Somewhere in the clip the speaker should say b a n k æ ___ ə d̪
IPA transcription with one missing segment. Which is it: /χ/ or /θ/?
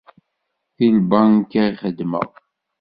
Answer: χ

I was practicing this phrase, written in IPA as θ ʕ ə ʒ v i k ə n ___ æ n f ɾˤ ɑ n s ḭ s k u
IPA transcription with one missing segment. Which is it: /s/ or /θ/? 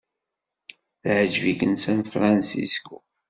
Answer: s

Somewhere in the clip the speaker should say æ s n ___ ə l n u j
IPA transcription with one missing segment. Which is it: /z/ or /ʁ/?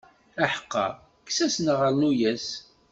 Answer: ʁ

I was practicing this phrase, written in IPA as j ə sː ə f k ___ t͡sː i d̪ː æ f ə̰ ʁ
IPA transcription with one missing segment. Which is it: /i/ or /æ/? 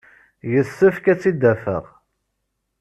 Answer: æ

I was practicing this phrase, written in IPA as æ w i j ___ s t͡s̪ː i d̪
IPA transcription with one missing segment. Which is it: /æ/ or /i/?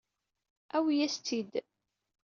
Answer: æ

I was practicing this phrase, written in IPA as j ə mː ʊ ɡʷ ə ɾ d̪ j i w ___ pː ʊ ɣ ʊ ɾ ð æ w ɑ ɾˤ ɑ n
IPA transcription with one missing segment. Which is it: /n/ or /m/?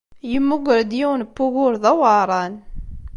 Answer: n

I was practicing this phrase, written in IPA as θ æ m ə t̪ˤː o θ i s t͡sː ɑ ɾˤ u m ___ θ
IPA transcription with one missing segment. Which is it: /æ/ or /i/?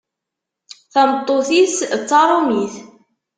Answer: i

